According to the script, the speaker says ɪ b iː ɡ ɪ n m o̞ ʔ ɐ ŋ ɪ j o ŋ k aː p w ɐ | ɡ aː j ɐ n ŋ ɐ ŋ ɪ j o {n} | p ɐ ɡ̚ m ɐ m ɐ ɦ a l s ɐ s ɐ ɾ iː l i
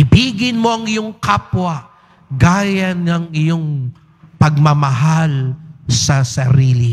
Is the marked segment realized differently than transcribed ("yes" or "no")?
yes